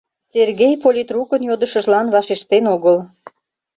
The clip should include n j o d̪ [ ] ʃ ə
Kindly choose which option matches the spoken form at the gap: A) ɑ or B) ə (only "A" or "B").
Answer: B